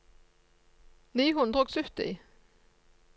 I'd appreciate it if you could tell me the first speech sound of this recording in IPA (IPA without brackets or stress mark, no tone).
n